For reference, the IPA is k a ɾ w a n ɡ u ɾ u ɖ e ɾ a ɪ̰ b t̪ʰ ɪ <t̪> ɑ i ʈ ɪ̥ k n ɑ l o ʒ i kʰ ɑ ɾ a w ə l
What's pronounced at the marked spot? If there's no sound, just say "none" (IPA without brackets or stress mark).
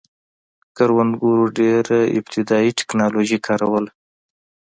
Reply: d̪